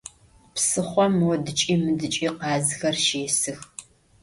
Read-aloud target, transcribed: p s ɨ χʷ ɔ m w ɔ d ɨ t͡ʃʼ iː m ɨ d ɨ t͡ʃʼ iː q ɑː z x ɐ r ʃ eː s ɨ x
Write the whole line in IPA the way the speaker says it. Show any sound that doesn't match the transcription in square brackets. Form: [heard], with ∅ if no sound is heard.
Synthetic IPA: p s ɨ χʷ ɔ m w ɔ d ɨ t͡ʃʼ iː m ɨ d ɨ t͡ʃʼ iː q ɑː z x ɐ r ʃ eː s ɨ x